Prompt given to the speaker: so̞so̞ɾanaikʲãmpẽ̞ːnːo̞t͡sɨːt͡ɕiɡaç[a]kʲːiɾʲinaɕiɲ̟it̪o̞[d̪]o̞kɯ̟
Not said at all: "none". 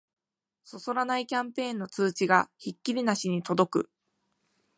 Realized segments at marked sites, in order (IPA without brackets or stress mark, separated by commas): i, d̪